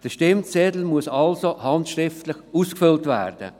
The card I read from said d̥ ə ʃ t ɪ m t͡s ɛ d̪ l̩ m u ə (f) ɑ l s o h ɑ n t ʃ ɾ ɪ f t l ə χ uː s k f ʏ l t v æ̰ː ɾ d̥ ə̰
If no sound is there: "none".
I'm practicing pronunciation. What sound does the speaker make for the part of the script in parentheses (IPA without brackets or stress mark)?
s